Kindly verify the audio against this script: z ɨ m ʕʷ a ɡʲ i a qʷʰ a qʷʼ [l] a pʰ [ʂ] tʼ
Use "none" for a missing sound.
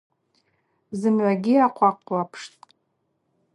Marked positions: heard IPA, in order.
l, ʂ

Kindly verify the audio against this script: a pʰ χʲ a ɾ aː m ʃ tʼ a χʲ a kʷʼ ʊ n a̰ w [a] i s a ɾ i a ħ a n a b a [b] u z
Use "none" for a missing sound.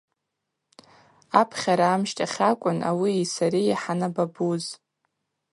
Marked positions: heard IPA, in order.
i, b

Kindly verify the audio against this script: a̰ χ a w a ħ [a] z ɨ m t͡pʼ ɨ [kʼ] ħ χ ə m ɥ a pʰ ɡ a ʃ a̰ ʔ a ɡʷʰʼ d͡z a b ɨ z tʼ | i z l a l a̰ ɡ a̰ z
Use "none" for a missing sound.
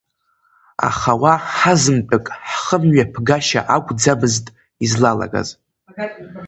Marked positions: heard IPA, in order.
a, kʼ

